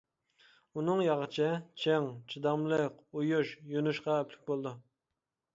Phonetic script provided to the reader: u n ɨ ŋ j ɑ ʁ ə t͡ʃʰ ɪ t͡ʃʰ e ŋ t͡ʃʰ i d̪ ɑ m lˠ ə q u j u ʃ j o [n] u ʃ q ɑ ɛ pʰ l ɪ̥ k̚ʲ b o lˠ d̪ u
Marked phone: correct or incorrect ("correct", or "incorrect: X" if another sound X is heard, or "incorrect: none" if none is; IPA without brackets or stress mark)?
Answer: correct